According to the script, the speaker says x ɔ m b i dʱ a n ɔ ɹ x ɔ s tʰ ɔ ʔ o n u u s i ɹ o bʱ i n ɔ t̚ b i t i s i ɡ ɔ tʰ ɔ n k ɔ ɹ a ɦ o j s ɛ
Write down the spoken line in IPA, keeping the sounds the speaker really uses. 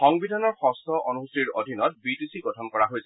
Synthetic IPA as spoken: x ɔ ŋ b i dʱ a n ɔ ɹ x ɔ s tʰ ɔ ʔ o n u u s i ɹ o dʱ i n ɔ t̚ b i t i s i ɡ ɔ tʰ ɔ n k ɔ ɹ a ɦ o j s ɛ